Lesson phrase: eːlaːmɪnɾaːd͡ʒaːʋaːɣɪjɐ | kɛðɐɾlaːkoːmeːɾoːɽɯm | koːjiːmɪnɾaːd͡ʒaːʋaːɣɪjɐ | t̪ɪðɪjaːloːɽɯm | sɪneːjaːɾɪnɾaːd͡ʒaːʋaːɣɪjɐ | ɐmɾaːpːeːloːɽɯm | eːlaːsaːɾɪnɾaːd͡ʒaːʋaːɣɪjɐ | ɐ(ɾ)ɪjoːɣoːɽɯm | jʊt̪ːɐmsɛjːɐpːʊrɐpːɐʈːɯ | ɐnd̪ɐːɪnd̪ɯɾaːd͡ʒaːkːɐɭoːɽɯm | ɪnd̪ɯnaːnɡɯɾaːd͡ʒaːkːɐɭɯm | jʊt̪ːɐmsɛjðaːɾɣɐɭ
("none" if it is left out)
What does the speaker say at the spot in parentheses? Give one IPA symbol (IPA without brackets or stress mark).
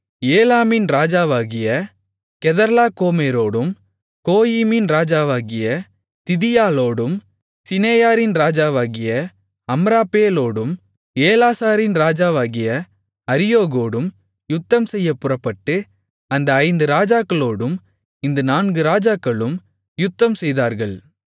ɾ